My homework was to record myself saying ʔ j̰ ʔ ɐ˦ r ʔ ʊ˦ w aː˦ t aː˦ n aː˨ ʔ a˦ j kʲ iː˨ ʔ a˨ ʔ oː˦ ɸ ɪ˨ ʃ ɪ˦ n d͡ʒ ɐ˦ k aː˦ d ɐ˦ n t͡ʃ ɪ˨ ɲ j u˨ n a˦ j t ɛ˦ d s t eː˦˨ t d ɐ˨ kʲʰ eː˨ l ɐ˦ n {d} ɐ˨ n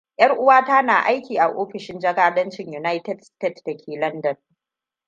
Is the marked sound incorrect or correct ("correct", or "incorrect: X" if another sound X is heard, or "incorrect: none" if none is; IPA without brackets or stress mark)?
correct